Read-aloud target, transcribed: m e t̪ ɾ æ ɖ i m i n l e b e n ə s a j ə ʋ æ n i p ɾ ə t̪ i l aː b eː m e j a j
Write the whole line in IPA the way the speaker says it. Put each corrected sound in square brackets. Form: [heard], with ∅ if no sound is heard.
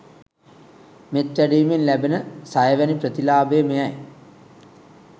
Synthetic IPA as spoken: m e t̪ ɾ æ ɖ [iː] m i n l [æ] b e n ə s a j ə ʋ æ n i p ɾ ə t̪ i l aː b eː m e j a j